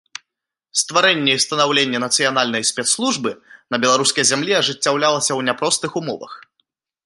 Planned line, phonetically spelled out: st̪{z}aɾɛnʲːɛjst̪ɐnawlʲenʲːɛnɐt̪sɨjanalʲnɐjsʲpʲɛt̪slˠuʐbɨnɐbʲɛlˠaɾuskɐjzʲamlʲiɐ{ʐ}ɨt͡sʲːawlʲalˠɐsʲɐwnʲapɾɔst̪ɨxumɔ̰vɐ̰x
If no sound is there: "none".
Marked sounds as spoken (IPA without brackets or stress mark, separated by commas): v, ʐ